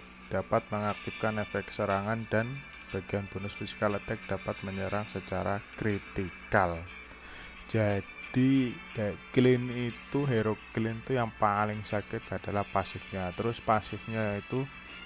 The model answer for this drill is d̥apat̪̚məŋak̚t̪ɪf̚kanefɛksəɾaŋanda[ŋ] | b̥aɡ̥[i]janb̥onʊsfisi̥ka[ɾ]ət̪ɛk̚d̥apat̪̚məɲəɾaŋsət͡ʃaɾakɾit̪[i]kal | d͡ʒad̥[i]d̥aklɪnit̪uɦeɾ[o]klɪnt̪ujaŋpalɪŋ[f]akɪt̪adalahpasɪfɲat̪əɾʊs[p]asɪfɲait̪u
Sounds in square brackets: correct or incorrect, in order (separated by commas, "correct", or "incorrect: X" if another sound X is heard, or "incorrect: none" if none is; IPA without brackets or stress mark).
incorrect: n, correct, incorrect: l, correct, correct, correct, incorrect: s, correct